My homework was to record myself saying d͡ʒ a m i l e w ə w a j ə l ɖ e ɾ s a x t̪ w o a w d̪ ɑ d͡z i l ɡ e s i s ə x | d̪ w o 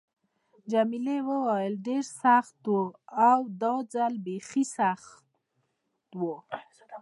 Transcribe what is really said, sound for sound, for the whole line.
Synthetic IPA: d͡ʒ a m i l e w ə w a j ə l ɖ e ɾ s a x t̪ w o a w d̪ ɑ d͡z a l b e x i s a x | t̪ w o